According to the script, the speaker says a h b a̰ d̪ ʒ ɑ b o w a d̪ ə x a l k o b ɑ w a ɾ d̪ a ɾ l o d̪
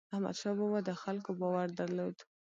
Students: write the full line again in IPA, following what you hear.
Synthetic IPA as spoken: a h m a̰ d̪ ʃ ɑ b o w a d̪ ə x a l k o b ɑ w a ɾ d̪ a ɾ l o d̪